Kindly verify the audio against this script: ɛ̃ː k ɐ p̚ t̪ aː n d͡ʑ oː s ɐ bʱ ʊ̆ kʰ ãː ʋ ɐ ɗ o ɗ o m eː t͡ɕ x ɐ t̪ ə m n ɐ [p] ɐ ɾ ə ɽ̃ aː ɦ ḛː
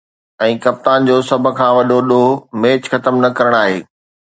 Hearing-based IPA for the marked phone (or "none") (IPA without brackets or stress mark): k